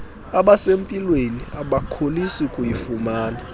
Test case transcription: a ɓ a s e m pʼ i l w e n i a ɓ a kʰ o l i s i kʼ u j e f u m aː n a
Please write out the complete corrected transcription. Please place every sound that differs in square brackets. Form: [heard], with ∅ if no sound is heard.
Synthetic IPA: a ɓ a s e m pʼ i l w e n i a ɓ a kʰ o l i s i kʼ u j [i] f u m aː n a